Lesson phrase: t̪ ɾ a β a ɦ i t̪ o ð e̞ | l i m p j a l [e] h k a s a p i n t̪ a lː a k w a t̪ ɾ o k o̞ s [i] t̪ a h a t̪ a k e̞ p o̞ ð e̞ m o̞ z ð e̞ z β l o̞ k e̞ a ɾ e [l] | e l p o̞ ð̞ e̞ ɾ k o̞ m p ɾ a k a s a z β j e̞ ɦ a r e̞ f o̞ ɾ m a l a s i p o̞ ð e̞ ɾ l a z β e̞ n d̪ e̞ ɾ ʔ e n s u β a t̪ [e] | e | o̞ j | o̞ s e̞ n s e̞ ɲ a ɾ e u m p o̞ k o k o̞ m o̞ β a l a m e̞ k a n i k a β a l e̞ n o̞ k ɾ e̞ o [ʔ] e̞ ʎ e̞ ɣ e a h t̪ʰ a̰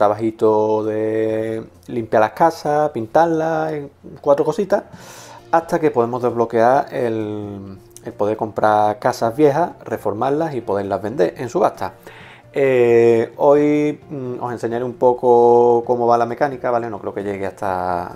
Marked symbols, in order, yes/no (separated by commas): no, yes, yes, no, no